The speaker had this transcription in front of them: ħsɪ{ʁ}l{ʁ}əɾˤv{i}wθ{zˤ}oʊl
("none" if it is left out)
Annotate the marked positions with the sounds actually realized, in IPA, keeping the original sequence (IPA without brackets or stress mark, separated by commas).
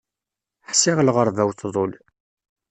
ʁ, ʁ, æ, ðˤ